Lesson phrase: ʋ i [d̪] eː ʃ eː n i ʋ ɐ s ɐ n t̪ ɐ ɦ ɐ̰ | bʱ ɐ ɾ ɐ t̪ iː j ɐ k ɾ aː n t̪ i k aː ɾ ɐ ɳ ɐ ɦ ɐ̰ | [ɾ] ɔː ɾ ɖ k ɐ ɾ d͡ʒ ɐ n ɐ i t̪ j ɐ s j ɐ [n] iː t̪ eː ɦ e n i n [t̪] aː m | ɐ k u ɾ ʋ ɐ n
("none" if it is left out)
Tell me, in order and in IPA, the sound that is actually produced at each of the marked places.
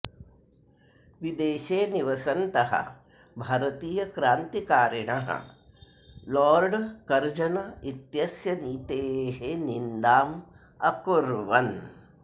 d̪, l, n, d̪

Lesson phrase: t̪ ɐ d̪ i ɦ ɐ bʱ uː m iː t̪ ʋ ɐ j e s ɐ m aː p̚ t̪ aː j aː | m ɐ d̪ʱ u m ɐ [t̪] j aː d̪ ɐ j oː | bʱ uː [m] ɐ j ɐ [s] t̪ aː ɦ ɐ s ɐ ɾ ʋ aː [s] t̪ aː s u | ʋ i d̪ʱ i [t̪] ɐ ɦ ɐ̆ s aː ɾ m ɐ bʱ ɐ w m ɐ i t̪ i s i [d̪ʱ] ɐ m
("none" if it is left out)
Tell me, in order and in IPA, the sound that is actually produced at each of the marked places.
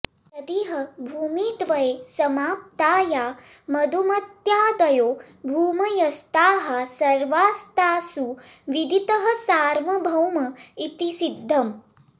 t̪, m, s, s, t̪, d̪ʱː

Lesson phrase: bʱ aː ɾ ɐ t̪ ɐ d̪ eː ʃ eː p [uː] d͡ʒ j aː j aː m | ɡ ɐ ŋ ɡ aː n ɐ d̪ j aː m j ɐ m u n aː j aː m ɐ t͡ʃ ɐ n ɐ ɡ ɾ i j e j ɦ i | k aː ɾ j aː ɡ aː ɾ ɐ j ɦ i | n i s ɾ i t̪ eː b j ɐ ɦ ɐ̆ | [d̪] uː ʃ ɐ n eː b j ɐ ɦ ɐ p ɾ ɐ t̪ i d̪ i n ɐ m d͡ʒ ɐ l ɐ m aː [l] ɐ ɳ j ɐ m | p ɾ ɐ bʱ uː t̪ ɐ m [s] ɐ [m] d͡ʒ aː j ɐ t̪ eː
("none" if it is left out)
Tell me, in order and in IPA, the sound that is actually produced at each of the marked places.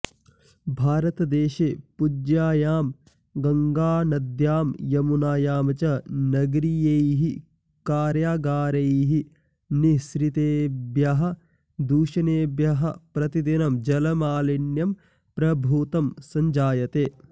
u, d̪, l, s, ɲ

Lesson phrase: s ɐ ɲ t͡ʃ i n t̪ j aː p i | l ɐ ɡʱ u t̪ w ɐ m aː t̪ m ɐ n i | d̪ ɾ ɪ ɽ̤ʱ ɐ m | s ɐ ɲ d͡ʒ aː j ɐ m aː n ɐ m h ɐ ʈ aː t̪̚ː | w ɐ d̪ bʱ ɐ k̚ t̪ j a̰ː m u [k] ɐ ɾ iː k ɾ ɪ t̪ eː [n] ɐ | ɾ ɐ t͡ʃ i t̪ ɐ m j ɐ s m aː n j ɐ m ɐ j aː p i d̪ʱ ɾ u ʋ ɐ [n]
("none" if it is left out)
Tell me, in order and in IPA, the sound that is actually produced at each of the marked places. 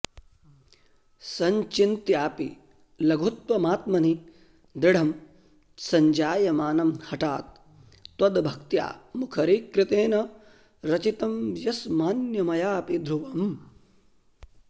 kʰ, n, m

